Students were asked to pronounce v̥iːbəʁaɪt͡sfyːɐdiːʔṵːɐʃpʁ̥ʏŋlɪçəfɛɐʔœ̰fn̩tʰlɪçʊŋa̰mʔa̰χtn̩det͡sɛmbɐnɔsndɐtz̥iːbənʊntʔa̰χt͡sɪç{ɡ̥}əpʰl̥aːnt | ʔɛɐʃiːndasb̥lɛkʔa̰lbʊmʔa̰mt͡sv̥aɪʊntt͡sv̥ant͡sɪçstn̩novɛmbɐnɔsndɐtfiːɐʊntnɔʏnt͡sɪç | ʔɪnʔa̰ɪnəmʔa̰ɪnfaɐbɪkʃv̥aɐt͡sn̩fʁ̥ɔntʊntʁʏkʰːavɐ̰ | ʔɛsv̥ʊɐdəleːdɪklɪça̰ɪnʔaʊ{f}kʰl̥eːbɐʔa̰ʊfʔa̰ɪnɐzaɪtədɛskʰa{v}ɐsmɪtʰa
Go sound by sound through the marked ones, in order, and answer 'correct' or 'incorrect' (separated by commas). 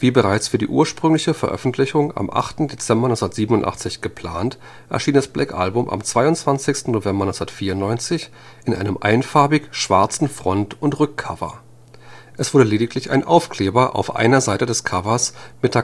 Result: correct, correct, correct